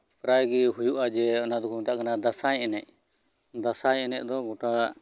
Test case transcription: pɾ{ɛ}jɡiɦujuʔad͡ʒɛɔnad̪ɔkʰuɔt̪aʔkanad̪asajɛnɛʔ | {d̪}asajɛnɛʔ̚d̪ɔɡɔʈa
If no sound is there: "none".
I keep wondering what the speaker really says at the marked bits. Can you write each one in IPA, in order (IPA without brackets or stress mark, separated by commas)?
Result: a, d̪